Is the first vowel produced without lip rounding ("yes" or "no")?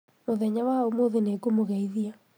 no